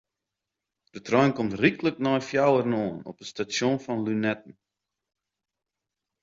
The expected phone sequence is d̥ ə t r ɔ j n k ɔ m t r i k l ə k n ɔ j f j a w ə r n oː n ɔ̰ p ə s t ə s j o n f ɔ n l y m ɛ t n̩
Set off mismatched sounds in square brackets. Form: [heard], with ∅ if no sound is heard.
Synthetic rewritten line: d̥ ə t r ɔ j n k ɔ m t r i k l ə k n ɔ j f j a w ə r n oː n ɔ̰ p ə s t [a] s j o n f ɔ n l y [n] ɛ t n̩